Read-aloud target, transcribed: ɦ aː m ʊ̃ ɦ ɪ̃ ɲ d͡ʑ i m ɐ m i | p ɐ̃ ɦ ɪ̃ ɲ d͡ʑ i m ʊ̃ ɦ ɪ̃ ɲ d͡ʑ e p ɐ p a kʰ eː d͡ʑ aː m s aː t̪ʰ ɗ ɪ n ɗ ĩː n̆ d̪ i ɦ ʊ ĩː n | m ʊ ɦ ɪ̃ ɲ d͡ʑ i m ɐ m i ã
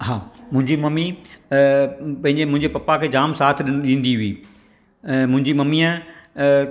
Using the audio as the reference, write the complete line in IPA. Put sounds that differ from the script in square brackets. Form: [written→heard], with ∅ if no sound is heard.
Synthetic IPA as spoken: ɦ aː m ʊ̃ ɦ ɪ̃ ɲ d͡ʑ i m ɐ m i | p ɐ̃ ɦ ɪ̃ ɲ d͡ʑ [i→e] m ʊ̃ ɦ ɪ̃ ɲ d͡ʑ e p ɐ p a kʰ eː d͡ʑ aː m s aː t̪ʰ ɗ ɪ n ɗ ĩː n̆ d̪ i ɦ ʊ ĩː [n→∅] | m [ʊ→ʊ̃] ɦ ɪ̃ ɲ d͡ʑ i m ɐ m i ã